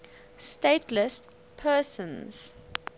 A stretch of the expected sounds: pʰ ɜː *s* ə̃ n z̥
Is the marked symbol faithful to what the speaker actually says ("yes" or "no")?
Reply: yes